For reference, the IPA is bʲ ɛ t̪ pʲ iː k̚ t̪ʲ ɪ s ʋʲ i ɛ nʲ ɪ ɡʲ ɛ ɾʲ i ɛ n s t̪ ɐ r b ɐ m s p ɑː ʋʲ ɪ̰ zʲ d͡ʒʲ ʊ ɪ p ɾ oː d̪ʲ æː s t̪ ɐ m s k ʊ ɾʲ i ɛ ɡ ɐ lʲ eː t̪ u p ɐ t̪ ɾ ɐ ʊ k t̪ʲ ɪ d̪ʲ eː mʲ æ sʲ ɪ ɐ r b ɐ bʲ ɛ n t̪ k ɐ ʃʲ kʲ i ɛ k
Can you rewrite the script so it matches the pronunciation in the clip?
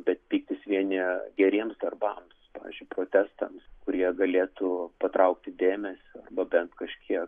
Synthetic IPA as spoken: bʲ ɛ t̪ pʲ iː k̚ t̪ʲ ɪ s ʋʲ i ɛ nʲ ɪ ɡʲ ɛ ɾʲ i ɛ m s d̪ ɐ r b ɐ m s p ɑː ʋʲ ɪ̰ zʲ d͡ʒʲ ʊ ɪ p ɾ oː t̪ʲ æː s t̪ ɐ m s k ʊ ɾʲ i ɛ ɡ ɐ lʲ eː t̪ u p ɐ t̪ ɾ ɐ ʊ k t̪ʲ ɪ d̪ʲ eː mʲ ɛ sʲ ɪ ɐ r b ɐ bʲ ɛ n t̪ k ɐ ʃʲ kʲ i ɛ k